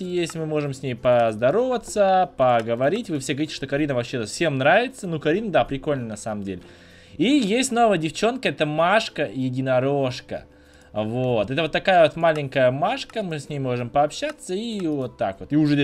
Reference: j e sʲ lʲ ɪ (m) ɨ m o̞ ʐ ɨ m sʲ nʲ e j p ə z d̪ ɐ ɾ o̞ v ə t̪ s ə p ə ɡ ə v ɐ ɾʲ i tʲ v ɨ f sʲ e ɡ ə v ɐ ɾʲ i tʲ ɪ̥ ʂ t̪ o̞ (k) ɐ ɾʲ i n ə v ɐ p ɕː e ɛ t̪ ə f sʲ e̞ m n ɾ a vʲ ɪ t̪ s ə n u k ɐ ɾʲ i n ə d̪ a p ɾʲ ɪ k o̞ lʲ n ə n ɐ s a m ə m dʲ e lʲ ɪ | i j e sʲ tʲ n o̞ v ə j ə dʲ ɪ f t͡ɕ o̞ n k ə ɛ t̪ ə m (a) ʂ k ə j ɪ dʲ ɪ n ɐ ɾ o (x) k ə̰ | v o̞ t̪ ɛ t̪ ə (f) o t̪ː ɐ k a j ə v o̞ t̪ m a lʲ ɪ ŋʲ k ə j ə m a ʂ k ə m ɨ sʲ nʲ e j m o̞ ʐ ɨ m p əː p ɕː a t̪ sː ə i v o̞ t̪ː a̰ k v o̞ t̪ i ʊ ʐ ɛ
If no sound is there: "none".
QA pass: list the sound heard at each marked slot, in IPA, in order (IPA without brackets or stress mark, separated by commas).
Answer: m, k, a, ʂ, v